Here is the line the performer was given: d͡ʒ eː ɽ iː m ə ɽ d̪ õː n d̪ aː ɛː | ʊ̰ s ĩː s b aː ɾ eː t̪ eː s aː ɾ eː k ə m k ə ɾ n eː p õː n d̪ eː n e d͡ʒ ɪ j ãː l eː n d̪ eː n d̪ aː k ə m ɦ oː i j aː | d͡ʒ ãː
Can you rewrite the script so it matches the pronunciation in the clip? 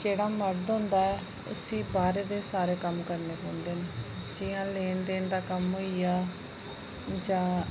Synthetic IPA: d͡ʒ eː ɽ aː m ə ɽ d̪ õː n d̪ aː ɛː | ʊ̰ s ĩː b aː ɾ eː d̪ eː s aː ɾ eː k ə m k ə ɾ n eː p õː n d̪ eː n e d͡ʒ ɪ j ãː l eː n d̪ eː n d̪ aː k ə m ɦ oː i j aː | d͡ʒ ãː